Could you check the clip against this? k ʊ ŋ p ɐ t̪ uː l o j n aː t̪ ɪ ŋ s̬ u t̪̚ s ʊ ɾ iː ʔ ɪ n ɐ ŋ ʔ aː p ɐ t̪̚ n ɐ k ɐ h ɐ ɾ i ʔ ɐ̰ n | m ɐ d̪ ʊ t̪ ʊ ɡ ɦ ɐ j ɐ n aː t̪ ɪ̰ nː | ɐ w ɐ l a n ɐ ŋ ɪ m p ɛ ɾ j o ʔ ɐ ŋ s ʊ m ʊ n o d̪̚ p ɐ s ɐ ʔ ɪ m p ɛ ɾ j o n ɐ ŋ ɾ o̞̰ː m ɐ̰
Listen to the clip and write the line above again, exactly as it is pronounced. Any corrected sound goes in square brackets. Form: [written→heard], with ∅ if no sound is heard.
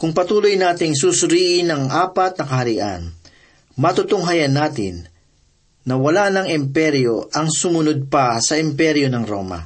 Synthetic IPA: k ʊ ŋ p ɐ t̪ uː l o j n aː t̪ ɪ ŋ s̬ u [t̪̚→∅] s ʊ ɾ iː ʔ ɪ n ɐ ŋ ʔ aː p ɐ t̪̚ n ɐ k ɐ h ɐ ɾ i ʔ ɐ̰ n | m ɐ [d̪→t̪] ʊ t̪ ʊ [ɡ→ŋ] ɦ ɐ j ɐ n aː t̪ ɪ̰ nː | ɐ w ɐ l a n ɐ ŋ ɪ m p ɛ ɾ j o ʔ ɐ ŋ s ʊ m ʊ n o d̪̚ p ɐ s ɐ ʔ ɪ m p ɛ ɾ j o n ɐ ŋ ɾ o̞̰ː m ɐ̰